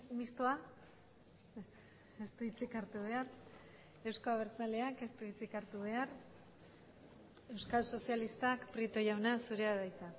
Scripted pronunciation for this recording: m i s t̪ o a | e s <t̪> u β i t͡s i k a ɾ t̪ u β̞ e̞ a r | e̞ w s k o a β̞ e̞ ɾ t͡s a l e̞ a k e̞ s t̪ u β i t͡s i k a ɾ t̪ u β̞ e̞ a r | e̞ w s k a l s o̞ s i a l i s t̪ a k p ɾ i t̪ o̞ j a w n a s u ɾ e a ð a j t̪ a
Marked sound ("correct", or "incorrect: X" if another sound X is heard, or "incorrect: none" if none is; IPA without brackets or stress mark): correct